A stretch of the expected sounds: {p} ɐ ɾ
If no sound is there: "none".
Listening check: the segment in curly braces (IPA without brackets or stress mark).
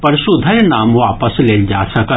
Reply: p